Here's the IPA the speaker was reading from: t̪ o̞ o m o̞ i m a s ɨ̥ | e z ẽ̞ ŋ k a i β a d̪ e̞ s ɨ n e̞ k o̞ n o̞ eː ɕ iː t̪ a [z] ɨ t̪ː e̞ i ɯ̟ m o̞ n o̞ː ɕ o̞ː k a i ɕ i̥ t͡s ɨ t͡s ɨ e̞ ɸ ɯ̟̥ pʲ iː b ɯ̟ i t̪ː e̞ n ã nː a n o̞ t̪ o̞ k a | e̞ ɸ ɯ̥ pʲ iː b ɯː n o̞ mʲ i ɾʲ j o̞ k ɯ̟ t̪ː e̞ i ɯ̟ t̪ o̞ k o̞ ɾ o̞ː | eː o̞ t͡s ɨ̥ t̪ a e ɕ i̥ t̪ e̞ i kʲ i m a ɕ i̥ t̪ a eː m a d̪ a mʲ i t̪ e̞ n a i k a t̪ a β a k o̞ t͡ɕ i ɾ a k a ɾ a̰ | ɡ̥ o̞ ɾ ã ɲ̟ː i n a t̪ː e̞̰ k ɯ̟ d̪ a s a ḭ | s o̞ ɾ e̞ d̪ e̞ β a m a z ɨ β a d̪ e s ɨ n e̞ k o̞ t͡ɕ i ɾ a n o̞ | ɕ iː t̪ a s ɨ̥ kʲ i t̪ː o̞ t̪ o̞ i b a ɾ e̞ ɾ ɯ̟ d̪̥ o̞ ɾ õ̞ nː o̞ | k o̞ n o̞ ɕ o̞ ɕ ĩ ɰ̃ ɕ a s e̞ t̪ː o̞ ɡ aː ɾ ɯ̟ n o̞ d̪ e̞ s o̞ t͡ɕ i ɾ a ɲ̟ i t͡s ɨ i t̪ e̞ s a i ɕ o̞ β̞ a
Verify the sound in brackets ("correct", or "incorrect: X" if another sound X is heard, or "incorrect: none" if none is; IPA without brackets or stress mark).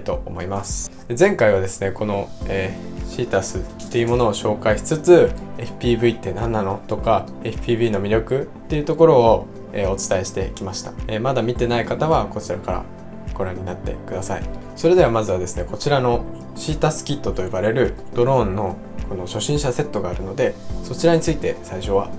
incorrect: s